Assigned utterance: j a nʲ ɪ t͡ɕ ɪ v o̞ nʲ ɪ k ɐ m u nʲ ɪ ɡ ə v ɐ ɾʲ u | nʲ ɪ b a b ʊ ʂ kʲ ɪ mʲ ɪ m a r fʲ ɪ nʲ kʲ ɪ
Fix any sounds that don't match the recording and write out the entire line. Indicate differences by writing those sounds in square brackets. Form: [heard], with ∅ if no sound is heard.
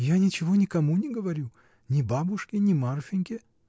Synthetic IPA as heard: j a nʲ ɪ t͡ɕ ɪ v o̞ nʲ ɪ k ɐ m u nʲ ɪ ɡ ə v ɐ ɾʲ u | nʲ ɪ b a b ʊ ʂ kʲ ɪ [nʲ] ɪ m a r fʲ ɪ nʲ kʲ ɪ